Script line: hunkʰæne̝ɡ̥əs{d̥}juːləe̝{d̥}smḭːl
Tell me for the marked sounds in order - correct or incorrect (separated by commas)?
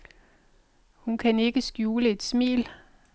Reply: incorrect, correct